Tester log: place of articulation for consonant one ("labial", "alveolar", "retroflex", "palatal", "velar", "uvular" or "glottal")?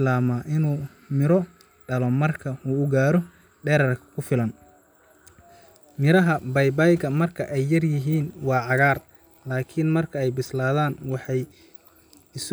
alveolar